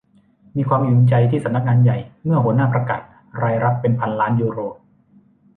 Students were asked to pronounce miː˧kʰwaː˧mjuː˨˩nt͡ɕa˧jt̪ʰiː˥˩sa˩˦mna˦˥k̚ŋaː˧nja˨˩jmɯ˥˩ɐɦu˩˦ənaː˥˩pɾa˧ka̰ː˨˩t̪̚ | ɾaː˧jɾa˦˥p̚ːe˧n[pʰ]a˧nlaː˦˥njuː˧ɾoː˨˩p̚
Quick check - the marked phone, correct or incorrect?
correct